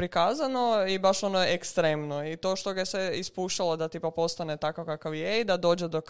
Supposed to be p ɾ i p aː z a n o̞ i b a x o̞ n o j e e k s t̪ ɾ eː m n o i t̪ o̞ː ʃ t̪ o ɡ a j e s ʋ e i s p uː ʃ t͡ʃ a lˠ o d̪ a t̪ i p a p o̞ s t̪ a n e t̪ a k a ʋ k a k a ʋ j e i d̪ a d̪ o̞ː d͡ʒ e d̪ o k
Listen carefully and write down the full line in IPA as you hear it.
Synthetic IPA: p ɾ i k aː z a n o̞ i b a ʃ o̞ n o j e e k s t̪ ɾ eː m n o i t̪ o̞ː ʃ t̪ o ɡ a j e s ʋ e i s p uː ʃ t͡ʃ a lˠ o d̪ a t̪ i p a p o̞ s t̪ a n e t̪ a k a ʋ k a k a ʋ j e i d̪ a d̪ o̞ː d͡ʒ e d̪ o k